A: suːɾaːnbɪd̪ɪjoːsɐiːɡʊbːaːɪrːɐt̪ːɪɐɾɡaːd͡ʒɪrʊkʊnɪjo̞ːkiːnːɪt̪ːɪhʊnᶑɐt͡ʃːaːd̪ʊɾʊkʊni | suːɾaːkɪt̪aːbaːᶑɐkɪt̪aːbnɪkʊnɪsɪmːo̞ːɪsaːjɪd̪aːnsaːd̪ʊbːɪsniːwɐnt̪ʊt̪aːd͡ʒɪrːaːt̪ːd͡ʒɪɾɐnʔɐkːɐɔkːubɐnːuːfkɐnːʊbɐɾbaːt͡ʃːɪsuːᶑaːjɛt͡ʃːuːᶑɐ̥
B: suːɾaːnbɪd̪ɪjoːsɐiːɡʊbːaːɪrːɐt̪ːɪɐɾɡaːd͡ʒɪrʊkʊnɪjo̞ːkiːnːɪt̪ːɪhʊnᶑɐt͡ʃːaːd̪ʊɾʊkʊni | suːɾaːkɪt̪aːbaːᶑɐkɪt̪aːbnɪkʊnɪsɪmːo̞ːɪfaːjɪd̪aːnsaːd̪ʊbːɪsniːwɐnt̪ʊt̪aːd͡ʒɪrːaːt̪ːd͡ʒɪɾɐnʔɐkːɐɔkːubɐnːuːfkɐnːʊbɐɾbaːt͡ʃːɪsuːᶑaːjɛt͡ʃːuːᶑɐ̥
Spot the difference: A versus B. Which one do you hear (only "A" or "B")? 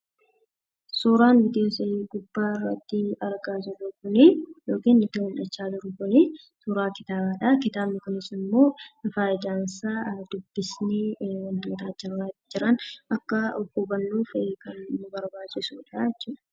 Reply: B